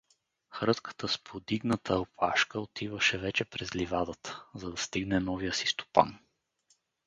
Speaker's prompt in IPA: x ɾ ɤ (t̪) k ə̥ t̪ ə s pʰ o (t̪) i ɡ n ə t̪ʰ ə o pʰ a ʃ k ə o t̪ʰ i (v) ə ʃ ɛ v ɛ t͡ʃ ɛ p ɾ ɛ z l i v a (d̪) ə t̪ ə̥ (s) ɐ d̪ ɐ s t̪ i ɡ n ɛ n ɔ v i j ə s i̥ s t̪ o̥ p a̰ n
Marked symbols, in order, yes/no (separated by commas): yes, no, yes, yes, no